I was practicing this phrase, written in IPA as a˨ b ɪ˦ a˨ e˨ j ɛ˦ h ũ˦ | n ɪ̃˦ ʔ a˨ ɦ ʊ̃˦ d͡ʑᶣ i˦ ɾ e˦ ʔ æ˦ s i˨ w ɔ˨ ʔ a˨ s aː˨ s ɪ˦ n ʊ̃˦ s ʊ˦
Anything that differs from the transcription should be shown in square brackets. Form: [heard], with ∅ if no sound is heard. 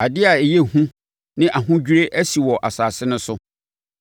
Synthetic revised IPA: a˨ [d] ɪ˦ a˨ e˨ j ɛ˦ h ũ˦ | n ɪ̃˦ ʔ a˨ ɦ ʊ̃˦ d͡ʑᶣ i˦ ɾ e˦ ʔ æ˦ s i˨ w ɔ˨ ʔ a˨ s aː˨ s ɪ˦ n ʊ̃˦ s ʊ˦